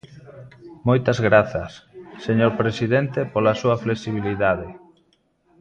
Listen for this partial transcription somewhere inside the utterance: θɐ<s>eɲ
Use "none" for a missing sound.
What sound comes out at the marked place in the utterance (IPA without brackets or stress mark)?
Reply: sː